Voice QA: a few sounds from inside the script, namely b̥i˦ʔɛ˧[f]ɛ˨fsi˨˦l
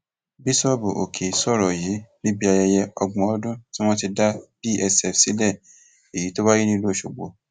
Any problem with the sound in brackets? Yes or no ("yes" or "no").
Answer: yes